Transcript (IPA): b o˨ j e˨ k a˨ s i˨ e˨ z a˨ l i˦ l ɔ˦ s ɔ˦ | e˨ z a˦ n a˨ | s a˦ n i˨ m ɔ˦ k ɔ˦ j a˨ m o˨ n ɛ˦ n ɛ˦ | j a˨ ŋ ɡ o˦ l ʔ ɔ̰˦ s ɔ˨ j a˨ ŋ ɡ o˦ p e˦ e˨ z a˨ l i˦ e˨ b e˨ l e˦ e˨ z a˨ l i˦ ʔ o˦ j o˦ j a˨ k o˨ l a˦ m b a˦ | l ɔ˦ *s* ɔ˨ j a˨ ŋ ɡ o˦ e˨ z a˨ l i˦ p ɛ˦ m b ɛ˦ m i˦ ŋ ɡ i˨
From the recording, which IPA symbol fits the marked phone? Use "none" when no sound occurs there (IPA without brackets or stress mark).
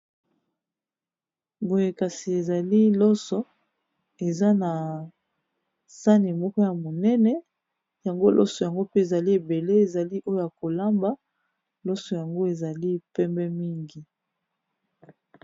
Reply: s